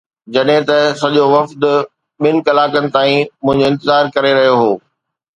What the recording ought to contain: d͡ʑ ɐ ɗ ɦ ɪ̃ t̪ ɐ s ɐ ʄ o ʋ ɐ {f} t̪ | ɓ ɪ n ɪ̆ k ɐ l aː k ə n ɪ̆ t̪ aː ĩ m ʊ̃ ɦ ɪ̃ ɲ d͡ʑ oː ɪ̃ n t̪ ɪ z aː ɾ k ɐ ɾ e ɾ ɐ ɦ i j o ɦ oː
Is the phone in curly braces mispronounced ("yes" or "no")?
no